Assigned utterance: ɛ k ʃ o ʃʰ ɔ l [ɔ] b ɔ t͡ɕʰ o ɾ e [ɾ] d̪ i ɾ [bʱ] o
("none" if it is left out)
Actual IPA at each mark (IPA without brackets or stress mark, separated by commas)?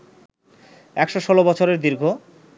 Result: o, ɾ, ɡʱ